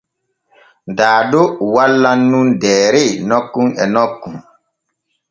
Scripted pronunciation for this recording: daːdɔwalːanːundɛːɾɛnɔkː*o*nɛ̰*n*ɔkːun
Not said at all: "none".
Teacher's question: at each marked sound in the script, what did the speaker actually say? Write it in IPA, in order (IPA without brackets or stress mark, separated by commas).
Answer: u, n